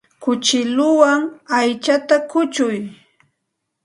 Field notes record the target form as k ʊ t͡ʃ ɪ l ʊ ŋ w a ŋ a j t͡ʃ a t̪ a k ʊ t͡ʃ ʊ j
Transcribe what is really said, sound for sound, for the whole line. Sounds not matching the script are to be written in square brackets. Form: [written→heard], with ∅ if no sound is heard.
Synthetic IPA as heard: k ʊ t͡ʃ ɪ l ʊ [ŋ→∅] w a ŋ a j t͡ʃ a t̪ a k ʊ t͡ʃ ʊ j